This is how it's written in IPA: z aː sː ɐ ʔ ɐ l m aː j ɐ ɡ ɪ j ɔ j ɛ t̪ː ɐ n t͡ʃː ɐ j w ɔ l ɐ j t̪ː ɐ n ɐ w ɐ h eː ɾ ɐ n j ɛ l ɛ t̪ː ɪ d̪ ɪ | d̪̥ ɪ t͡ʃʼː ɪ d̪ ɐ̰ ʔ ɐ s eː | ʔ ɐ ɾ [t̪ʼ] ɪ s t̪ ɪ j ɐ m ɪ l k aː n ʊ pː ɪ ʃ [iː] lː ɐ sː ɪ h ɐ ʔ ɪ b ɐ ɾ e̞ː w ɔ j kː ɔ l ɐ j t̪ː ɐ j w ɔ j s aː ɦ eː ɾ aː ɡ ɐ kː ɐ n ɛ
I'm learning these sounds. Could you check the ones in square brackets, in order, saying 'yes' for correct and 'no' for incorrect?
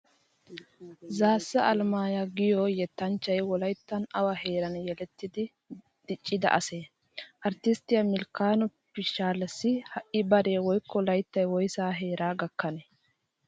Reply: no, no

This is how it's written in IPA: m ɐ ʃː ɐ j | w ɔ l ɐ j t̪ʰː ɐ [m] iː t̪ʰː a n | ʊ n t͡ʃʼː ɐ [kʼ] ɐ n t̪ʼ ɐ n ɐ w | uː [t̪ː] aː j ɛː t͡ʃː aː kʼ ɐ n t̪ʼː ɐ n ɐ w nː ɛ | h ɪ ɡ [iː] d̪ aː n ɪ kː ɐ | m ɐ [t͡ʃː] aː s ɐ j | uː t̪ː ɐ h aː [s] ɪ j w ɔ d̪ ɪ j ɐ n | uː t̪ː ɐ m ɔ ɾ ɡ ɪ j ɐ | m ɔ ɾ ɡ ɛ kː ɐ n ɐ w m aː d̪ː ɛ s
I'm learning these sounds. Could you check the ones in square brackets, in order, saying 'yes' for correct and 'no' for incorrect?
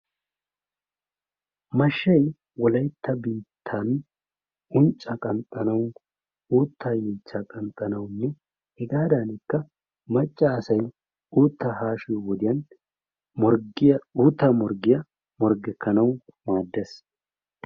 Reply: no, yes, yes, no, no, no

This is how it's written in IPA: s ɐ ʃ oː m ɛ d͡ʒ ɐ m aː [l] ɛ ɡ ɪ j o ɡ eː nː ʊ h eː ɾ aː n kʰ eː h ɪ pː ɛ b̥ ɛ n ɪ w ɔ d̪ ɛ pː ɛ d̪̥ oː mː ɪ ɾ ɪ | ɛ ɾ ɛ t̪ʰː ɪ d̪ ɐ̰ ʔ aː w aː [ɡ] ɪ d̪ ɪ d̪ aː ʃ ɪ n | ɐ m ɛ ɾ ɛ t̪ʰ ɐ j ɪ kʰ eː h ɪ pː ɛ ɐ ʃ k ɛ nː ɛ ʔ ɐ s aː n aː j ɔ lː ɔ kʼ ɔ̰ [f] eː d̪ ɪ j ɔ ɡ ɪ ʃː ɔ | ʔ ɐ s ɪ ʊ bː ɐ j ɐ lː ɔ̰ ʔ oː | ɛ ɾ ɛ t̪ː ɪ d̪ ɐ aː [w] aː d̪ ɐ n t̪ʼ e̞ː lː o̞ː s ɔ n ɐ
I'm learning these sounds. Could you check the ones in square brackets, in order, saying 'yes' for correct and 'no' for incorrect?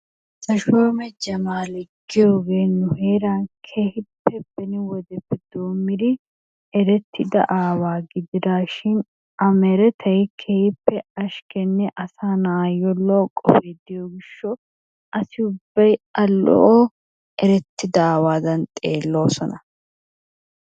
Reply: yes, yes, yes, yes

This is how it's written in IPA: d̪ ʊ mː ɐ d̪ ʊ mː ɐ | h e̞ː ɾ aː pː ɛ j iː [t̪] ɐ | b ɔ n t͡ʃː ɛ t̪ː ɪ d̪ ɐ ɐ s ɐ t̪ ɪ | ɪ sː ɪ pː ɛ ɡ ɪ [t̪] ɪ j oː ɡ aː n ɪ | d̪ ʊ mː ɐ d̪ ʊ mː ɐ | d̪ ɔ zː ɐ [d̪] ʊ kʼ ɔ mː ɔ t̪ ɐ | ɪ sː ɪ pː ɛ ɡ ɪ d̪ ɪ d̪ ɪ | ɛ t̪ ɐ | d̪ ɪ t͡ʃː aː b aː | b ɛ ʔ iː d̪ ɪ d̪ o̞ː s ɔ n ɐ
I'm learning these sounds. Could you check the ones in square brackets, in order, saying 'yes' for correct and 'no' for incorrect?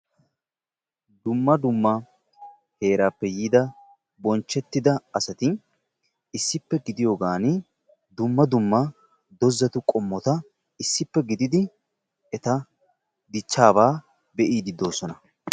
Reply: no, no, no

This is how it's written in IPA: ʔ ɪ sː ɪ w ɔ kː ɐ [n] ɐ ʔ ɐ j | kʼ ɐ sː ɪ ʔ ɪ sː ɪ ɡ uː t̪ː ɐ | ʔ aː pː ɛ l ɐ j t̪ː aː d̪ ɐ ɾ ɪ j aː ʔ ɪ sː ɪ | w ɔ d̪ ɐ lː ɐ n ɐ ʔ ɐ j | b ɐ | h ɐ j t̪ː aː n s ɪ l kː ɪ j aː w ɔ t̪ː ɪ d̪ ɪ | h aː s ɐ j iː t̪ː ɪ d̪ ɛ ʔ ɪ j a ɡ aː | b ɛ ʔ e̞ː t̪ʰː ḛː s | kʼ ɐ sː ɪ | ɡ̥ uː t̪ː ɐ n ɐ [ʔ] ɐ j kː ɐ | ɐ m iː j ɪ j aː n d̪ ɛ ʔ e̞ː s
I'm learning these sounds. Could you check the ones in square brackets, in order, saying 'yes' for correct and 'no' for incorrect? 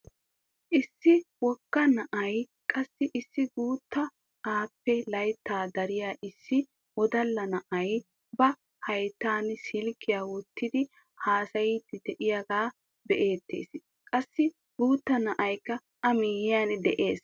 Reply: yes, yes

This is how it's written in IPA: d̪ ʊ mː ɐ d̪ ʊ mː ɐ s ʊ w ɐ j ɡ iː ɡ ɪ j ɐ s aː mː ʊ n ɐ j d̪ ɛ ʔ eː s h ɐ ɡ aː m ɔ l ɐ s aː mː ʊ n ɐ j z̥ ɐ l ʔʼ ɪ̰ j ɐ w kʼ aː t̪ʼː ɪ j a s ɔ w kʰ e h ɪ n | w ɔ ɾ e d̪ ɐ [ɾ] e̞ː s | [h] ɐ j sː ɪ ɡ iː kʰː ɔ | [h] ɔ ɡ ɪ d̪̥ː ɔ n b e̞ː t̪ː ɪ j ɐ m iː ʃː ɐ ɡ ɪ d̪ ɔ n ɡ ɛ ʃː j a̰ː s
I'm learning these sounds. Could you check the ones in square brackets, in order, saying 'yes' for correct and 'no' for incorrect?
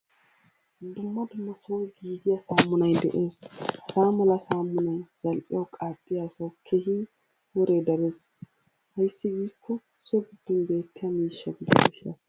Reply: yes, yes, no

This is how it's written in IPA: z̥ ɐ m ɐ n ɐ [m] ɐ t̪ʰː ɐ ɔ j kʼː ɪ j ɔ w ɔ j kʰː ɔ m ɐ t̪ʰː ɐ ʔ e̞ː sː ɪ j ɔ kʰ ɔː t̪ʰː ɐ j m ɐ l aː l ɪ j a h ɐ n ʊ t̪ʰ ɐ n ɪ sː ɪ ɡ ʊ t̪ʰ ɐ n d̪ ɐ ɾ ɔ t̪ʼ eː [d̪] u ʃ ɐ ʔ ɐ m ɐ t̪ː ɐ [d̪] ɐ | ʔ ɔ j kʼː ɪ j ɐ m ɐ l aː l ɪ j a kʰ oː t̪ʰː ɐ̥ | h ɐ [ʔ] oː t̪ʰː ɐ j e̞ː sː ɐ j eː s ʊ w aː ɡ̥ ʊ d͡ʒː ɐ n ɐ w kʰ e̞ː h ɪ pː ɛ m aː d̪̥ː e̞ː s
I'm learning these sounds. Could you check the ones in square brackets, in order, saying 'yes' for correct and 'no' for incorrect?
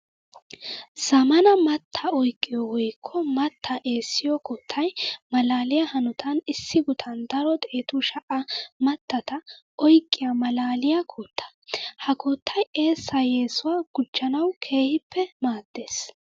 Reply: yes, no, no, no

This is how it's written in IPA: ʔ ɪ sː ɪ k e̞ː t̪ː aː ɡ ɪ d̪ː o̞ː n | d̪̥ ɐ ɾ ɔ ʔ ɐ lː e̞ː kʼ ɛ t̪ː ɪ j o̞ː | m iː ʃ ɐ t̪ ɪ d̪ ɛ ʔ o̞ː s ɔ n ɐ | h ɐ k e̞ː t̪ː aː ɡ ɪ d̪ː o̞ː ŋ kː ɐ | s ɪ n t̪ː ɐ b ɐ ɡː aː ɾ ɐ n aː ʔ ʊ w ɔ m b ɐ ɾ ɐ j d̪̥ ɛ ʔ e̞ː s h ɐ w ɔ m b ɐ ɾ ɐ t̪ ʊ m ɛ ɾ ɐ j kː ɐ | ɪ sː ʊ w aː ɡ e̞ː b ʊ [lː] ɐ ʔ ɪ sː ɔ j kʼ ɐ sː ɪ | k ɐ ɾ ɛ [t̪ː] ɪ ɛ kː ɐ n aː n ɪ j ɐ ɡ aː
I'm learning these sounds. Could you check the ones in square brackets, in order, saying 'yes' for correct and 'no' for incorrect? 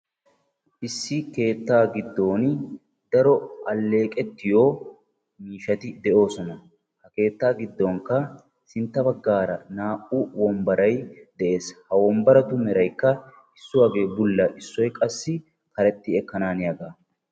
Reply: yes, yes

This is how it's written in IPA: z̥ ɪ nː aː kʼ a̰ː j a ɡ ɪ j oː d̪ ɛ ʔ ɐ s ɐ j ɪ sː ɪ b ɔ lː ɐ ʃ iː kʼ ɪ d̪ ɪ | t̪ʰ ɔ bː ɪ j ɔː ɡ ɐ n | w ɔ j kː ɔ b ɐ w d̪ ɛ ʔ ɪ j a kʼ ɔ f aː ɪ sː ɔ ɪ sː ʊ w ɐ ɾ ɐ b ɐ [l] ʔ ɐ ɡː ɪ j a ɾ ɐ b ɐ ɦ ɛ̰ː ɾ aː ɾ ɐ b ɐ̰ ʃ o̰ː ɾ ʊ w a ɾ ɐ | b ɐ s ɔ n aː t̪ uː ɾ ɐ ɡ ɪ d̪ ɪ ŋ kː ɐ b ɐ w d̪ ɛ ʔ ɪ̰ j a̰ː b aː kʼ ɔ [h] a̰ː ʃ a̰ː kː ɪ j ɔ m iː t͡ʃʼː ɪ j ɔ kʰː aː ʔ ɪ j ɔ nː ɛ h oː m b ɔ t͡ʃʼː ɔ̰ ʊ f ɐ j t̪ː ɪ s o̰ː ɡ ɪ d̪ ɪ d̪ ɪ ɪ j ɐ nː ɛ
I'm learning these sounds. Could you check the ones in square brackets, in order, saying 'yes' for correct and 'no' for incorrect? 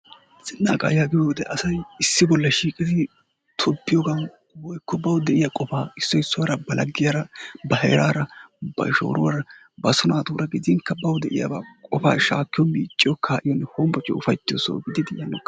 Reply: yes, no

